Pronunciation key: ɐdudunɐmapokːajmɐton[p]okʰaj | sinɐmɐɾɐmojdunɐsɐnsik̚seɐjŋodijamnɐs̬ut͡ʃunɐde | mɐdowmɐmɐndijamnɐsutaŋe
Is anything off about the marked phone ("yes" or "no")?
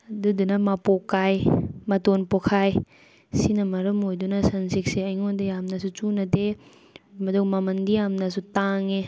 no